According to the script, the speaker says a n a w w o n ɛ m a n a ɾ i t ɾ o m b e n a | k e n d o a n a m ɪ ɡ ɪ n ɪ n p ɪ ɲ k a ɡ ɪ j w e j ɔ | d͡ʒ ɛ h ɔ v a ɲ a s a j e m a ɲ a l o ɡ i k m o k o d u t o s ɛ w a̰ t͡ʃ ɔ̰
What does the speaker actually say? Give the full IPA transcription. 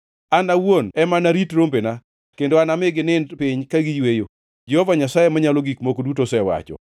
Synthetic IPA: a n a w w o n ɛ m a n a ɾ i t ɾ o m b e n a | k e n d o a n a m ɪ ɡ ɪ n ɪ n p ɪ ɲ k a ɡ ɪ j w e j o | d͡ʒ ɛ h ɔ v a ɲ a s a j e m a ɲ a l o ɡ i k m o k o d u t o s ɛ w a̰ t͡ʃ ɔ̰